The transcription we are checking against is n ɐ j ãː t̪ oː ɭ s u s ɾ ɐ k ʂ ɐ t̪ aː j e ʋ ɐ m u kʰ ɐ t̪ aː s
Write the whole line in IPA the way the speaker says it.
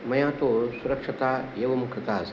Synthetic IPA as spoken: m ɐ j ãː t̪ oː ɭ s u ɾ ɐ k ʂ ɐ t̪ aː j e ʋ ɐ m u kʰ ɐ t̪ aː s